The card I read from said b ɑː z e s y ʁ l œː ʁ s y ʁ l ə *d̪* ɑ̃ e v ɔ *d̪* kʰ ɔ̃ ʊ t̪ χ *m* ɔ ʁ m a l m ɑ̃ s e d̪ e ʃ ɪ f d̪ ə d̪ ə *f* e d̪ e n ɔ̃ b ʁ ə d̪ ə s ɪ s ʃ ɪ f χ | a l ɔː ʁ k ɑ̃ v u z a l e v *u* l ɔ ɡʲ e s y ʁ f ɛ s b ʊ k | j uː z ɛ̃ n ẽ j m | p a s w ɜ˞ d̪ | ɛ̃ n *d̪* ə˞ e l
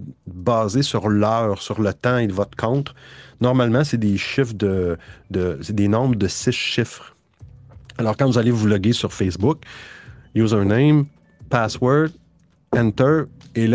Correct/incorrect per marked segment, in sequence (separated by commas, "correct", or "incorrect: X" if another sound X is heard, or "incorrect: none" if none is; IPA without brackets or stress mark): incorrect: t̪, incorrect: t̪, incorrect: n, incorrect: s, correct, incorrect: t̪